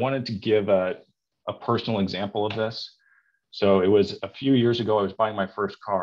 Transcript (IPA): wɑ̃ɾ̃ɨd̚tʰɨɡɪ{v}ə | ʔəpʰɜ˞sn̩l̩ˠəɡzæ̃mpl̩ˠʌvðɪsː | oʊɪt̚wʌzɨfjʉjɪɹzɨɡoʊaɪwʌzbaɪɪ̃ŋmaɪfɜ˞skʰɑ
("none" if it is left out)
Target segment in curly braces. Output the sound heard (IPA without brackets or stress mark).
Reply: v